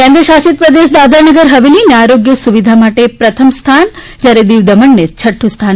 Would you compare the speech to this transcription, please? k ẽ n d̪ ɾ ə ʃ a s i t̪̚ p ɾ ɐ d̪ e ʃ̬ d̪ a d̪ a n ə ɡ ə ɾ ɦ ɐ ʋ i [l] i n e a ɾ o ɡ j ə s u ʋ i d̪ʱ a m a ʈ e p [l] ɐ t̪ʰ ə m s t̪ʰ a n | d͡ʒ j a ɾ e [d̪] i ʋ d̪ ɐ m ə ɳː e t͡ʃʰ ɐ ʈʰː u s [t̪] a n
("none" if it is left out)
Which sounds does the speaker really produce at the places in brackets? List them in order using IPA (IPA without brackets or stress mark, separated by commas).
l, ɾ, d̪, t̪ʰ